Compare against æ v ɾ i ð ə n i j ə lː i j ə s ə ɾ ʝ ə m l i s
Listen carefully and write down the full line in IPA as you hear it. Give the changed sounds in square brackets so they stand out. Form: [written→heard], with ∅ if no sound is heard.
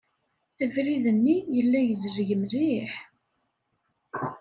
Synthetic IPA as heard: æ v ɾ i ð ə [n→nː] i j ə lː [i→æ] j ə [s→z] ə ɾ ʝ ə m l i [s→ħ]